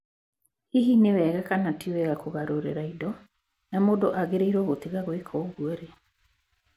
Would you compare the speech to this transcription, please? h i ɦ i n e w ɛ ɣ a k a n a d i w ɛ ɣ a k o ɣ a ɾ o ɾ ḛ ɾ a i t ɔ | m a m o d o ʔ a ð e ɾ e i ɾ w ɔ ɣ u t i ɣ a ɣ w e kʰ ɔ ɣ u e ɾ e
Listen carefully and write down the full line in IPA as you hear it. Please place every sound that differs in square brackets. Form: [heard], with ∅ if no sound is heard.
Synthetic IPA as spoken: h i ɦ i n e w ɛ ɣ a k a n a [t] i w ɛ ɣ a k o ɣ a ɾ o ɾ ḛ ɾ a i [d] ɔ | [n] a m o d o ʔ a [ɣ] e ɾ e i ɾ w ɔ ɣ [o] t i ɣ a ɣ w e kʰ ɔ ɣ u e ɾ e